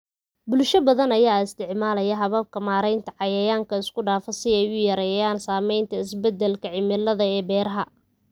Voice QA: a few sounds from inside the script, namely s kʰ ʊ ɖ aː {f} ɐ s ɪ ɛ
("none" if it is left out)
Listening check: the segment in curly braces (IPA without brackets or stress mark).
f